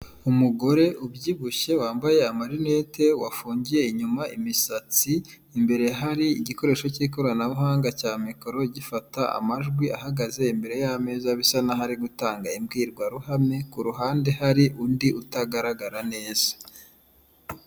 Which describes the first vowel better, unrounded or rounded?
rounded